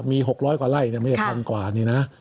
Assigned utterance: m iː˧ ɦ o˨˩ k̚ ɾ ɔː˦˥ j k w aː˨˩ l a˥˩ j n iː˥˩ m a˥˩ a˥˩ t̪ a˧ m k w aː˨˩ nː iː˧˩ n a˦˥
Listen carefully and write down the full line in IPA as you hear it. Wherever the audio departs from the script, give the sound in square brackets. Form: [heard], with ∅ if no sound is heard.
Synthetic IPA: m iː˧ ɦ o˨˩ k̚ ɾ ɔː˦˥ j k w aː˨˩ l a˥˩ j n [i˥˩] m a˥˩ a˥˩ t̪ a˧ [ŋ] k w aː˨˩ [n] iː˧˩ n a˦˥